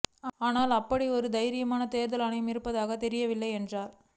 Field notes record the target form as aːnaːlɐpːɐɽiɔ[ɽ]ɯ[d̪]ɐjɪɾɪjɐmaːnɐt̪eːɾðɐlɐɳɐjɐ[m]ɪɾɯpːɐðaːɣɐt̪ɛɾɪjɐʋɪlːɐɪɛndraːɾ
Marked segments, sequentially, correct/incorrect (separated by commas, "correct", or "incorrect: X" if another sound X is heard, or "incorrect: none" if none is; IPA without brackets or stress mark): incorrect: ɾ, correct, correct